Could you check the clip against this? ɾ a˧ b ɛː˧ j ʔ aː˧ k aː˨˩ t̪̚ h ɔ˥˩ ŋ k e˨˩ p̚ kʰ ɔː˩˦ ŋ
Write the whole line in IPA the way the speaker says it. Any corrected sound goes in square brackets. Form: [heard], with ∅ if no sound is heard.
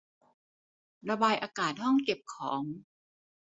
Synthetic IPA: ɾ a˧ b [aː˧] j ʔ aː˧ k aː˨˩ t̪̚ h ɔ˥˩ ŋ k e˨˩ p̚ kʰ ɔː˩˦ ŋ